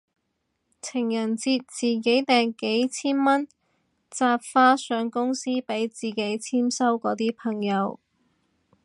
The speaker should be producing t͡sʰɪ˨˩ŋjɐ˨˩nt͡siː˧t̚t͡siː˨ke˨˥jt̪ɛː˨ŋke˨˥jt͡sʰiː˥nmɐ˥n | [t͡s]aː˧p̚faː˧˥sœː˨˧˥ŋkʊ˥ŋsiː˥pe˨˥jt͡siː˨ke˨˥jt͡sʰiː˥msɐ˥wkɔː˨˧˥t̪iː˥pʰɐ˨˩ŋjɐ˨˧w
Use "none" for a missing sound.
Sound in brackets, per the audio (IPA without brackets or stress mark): t͡s